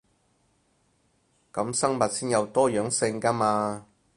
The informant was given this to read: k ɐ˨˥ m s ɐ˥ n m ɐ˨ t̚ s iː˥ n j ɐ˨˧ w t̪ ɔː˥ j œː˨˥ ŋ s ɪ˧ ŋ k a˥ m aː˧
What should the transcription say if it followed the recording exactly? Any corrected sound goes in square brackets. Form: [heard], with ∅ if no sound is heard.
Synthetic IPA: k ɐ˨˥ m s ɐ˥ [ŋ] m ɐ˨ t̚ s iː˥ n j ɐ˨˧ w t̪ ɔː˥ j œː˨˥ ŋ s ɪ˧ ŋ k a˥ m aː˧

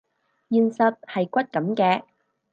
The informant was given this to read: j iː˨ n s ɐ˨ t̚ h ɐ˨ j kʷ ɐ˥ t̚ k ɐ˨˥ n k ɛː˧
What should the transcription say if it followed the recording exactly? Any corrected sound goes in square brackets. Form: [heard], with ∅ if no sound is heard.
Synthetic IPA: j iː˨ n s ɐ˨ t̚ h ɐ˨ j kʷ ɐ˥ t̚ k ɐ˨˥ [m] k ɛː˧

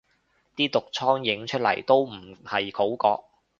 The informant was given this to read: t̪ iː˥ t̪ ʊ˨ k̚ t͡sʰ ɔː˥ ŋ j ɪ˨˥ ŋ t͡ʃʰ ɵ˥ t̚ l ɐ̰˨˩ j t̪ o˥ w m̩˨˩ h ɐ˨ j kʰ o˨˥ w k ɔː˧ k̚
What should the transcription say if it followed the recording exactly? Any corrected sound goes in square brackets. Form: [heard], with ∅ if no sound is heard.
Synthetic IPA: t̪ iː˥ t̪ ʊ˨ k̚ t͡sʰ ɔː˥ ŋ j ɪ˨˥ ŋ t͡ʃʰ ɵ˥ t̚ l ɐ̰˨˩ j t̪ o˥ w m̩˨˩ h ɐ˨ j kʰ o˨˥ w k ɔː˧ k̚

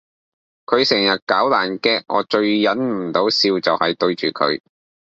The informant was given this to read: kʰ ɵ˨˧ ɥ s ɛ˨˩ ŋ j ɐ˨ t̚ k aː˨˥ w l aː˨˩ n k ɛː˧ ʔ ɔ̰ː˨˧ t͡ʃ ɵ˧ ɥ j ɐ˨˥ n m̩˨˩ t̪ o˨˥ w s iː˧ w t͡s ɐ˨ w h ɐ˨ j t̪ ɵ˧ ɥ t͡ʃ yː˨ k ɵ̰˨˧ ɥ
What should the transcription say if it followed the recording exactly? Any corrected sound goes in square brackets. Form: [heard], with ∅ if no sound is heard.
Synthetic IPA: kʰ ɵ˨˧ ɥ s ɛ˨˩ ŋ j ɐ˨ t̚ k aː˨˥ w l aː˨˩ n k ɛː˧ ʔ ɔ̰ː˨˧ t͡ʃ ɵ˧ ɥ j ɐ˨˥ n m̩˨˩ t̪ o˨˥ w s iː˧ w t͡s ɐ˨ w h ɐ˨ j t̪ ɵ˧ ɥ t͡ʃ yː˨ [kʰ] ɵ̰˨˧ ɥ

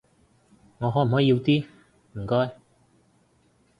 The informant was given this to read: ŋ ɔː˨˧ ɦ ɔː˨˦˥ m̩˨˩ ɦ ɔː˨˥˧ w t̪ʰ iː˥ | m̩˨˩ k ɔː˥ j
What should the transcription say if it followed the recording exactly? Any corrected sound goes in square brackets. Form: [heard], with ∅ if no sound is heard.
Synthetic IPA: ŋ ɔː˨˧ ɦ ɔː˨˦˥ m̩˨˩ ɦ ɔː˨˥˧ w [t̪] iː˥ | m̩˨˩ k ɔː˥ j

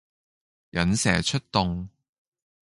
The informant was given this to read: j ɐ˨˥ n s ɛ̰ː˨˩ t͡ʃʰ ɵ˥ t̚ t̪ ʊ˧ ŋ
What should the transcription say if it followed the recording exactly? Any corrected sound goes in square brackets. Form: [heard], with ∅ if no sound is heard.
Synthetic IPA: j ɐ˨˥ n s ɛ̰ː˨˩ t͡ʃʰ ɵ˥ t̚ t̪ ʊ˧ ŋ

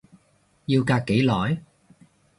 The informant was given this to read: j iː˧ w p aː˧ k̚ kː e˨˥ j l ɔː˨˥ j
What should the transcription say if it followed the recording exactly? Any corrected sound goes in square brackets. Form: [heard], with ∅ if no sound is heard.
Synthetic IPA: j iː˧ w [k] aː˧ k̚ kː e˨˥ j l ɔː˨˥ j

